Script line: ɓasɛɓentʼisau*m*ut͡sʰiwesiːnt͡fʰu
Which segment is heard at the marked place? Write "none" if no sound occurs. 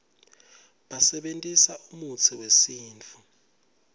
m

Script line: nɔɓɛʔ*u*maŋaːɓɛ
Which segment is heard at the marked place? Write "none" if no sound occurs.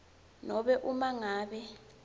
u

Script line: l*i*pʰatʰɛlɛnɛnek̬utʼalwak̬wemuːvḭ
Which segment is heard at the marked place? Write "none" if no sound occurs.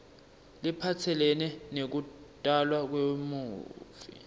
i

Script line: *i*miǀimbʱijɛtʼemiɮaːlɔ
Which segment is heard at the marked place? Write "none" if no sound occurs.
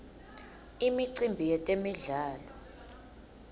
i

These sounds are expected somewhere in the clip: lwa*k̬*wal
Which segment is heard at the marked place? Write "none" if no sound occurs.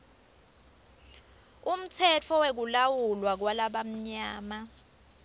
k̬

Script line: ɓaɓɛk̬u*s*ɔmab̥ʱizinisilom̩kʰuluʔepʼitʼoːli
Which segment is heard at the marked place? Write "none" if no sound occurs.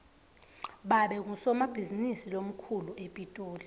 s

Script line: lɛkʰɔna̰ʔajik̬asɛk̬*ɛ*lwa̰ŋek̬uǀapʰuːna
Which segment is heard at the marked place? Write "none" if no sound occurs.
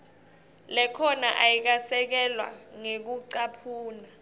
ɛ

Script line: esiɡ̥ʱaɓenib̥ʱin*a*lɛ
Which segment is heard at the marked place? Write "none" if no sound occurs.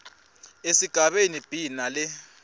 a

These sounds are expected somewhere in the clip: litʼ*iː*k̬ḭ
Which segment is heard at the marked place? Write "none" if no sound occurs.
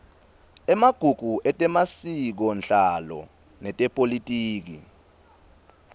iː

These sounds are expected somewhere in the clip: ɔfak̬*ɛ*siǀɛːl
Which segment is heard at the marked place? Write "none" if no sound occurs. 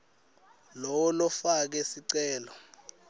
ɛ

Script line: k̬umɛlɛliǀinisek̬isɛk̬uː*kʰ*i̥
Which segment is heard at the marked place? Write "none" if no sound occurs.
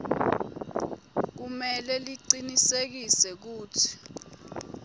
tʰ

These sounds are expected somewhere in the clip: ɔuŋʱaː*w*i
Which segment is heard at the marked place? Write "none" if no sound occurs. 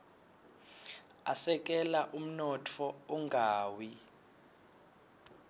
w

